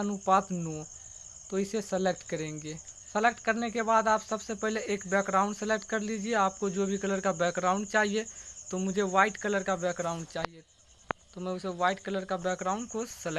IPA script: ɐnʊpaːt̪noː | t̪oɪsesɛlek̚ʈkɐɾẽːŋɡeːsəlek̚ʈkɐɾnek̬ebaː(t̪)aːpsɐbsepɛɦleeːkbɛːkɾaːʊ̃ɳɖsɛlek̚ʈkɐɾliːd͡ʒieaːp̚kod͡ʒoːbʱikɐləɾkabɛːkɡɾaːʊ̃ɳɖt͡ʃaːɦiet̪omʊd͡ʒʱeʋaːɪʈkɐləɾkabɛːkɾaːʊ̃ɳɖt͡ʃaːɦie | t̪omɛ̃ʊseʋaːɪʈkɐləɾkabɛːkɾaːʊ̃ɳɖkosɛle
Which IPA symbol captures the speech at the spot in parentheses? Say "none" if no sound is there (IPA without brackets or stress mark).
d̪